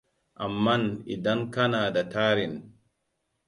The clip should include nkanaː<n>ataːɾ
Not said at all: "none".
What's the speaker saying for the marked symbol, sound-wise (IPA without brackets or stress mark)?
d